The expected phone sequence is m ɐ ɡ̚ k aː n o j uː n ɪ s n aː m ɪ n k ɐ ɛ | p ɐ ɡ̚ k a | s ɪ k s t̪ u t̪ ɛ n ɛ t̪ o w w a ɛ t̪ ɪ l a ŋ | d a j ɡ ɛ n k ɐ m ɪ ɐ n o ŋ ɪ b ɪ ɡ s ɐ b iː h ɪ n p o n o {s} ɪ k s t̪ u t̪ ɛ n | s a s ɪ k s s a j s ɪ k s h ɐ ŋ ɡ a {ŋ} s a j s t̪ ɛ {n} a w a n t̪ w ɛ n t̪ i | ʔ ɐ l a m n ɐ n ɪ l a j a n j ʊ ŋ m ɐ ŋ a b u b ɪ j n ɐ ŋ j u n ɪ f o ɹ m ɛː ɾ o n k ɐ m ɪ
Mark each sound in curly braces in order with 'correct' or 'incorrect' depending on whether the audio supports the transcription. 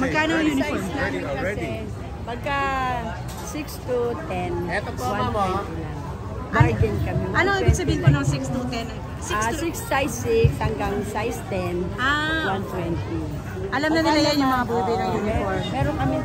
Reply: correct, correct, correct

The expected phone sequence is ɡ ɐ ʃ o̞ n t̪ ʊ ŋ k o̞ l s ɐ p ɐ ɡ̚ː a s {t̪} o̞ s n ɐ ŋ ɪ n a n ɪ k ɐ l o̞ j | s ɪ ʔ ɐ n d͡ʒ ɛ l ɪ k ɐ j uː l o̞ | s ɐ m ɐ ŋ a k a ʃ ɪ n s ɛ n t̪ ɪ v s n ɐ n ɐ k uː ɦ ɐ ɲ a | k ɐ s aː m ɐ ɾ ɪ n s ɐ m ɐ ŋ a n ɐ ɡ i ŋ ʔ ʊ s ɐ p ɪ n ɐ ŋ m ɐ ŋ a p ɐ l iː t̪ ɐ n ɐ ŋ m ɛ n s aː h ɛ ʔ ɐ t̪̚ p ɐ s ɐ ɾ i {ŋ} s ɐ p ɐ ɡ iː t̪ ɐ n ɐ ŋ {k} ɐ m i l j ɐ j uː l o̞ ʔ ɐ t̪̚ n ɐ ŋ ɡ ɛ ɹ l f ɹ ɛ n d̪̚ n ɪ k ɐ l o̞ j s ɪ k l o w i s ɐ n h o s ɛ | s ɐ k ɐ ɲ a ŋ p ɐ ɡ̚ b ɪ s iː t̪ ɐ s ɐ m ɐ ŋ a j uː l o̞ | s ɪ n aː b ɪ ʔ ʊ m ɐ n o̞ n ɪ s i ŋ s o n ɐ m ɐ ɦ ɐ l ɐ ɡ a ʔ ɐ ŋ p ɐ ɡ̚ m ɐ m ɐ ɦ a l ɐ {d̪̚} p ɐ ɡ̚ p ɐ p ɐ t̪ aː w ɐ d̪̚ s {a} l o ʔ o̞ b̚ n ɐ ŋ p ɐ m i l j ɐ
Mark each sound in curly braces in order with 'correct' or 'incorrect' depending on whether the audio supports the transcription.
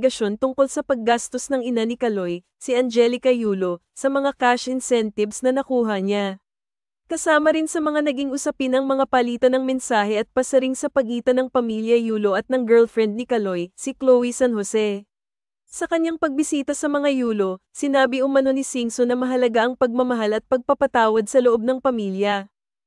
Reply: correct, correct, incorrect: p, incorrect: t̪̚, incorrect: ɐ

